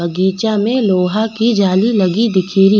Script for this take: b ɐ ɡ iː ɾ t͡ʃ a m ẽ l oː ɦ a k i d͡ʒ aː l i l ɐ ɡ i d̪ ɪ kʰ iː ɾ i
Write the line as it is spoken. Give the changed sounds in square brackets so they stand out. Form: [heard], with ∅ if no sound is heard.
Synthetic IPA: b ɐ ɡ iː [∅] t͡ʃ a m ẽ l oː ɦ a k i d͡ʒ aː l i l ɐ ɡ i d̪ ɪ kʰ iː ɾ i